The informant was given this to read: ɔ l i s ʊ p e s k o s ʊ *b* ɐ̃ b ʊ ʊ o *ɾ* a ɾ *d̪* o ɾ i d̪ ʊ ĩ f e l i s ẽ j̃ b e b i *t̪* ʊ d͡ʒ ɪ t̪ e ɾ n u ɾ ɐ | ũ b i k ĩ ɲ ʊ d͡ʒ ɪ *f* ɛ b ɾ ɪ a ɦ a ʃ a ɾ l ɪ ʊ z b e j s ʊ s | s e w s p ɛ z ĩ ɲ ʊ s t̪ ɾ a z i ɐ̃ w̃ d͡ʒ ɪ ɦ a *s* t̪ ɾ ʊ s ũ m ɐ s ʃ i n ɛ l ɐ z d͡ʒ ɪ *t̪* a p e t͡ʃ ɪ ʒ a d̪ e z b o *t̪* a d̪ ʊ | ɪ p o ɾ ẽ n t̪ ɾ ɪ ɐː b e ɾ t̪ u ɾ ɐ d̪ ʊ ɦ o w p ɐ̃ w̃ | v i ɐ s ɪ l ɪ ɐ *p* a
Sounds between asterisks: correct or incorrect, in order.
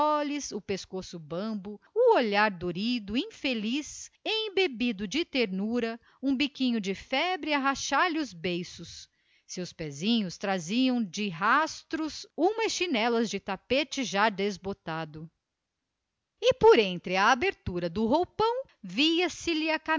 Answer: correct, incorrect, correct, incorrect, correct, correct, correct, correct, incorrect

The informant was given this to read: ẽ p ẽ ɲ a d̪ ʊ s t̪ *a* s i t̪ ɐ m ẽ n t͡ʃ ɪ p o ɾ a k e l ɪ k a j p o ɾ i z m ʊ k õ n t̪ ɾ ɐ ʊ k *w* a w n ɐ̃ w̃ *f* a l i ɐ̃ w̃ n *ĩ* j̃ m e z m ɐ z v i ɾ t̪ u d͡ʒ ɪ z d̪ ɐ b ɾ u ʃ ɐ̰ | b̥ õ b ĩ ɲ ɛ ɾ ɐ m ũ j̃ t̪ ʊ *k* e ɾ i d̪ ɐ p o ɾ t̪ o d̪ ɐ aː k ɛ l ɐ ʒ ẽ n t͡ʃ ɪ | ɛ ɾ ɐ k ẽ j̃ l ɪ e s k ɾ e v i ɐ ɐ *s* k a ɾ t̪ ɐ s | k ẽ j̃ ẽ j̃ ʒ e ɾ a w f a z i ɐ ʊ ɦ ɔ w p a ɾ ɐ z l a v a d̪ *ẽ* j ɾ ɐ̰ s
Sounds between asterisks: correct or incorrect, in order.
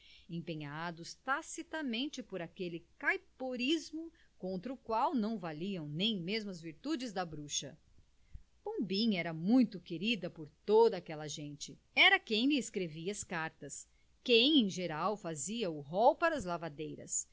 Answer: correct, correct, incorrect, incorrect, correct, correct, incorrect

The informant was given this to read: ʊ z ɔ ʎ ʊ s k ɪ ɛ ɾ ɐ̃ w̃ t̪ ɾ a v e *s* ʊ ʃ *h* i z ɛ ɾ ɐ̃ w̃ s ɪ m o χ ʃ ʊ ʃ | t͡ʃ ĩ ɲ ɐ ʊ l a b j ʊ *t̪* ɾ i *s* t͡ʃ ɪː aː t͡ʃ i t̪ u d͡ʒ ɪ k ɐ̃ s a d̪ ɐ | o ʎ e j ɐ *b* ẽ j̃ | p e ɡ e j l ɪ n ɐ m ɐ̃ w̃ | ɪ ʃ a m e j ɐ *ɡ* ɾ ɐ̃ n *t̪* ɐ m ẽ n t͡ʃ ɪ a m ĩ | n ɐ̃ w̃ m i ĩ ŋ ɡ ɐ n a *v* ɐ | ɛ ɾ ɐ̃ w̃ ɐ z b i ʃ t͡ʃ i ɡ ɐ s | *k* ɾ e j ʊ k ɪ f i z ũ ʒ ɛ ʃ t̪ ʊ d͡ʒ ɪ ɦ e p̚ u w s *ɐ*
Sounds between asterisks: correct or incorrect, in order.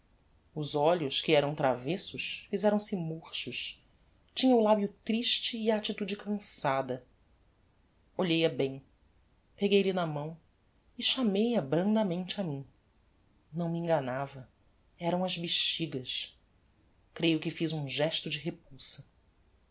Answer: correct, incorrect, correct, incorrect, correct, incorrect, incorrect, correct, correct, correct

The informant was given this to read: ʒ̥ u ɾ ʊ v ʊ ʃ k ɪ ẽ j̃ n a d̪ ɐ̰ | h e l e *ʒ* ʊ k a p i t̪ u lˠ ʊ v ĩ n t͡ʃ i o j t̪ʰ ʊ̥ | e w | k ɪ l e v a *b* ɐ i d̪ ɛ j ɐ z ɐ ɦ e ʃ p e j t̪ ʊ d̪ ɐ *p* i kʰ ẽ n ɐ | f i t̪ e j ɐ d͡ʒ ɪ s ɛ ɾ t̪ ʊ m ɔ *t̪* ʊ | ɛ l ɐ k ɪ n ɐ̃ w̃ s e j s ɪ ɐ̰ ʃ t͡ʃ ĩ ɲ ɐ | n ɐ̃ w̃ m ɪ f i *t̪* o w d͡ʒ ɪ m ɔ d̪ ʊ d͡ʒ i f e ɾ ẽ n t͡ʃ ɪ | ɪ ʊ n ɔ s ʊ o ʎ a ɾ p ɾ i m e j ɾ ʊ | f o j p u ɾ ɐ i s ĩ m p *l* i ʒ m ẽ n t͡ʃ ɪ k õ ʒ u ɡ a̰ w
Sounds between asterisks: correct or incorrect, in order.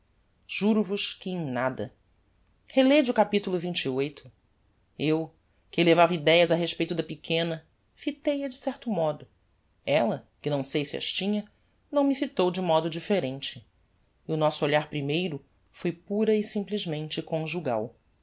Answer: incorrect, incorrect, correct, incorrect, correct, correct

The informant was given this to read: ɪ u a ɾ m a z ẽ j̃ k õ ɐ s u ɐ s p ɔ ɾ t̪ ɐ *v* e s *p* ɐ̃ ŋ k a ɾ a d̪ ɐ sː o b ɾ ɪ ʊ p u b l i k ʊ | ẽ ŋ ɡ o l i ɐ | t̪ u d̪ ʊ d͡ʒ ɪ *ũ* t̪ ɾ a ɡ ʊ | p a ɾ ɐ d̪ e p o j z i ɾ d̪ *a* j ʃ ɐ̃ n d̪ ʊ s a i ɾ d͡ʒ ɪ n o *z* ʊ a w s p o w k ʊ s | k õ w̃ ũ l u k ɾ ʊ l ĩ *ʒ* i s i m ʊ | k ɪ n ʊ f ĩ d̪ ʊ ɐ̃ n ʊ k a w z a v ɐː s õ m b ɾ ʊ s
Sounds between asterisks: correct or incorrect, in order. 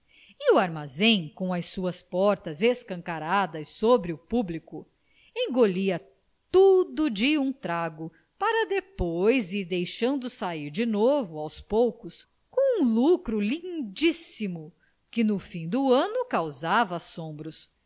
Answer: incorrect, incorrect, correct, incorrect, incorrect, incorrect

